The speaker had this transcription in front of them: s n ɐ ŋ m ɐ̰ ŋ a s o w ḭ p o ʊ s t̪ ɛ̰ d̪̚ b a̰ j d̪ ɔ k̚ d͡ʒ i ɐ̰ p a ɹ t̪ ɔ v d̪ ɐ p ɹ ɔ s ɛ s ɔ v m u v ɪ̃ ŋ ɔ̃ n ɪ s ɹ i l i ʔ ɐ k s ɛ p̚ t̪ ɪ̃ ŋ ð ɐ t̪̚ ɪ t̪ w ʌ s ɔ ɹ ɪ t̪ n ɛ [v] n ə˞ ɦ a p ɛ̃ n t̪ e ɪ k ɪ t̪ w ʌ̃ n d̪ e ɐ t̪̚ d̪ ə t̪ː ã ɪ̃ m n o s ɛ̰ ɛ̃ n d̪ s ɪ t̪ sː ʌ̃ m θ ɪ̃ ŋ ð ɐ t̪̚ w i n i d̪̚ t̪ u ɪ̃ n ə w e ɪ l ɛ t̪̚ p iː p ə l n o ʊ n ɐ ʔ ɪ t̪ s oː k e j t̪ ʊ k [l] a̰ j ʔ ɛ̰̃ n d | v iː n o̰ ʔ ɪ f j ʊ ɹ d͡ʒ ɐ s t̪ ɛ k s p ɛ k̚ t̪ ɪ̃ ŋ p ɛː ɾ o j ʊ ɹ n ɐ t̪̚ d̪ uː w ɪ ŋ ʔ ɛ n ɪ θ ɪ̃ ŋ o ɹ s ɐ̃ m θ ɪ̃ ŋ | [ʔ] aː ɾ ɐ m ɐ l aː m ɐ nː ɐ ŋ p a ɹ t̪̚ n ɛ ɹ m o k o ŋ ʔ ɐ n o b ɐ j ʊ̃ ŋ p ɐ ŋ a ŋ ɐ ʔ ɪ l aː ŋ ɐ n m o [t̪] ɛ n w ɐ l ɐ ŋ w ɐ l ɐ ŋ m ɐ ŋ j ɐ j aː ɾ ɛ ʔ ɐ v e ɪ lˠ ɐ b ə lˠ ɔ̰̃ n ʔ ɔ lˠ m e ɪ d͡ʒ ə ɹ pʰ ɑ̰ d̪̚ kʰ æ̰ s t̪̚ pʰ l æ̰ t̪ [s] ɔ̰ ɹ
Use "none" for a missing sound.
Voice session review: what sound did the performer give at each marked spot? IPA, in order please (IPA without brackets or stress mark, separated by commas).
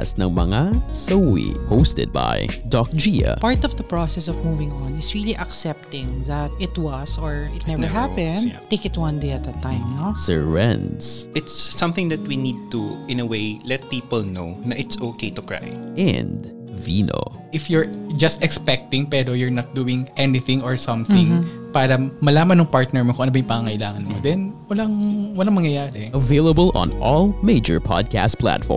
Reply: v, ɹ, p, d̪, f